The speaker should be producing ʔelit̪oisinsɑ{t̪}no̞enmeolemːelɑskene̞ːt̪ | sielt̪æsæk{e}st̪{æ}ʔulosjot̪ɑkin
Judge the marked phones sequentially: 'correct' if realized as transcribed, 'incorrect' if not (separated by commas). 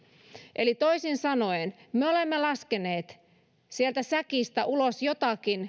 incorrect, incorrect, correct